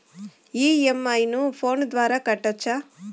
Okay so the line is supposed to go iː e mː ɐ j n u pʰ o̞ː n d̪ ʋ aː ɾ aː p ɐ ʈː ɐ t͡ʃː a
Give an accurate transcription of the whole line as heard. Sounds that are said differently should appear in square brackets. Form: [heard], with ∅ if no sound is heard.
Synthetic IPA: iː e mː ɐ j n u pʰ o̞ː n d̪ ʋ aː ɾ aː [k] ɐ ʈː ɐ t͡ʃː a